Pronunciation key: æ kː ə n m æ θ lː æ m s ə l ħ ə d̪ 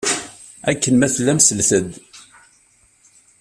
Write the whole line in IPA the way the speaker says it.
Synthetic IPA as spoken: æ kː ə n m æ θ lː æ m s ə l θ ə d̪